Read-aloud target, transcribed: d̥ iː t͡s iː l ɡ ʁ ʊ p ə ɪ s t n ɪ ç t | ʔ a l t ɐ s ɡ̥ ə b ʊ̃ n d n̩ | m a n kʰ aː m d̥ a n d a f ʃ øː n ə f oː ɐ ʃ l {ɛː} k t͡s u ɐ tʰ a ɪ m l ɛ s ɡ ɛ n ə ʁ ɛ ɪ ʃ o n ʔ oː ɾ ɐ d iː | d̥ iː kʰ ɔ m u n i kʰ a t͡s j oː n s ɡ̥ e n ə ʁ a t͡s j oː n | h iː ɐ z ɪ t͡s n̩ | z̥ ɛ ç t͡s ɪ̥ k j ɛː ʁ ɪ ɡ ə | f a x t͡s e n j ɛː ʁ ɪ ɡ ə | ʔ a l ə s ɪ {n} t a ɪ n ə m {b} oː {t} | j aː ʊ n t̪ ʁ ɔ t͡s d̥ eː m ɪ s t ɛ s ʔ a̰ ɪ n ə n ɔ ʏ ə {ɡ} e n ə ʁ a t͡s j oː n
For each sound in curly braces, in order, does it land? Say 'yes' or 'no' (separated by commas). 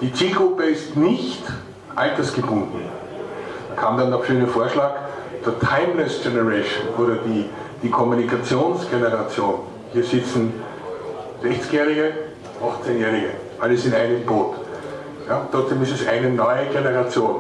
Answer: no, yes, yes, yes, yes